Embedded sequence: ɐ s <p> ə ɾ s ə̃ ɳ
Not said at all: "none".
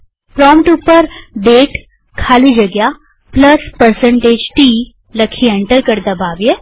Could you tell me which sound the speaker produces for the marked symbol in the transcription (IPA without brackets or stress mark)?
p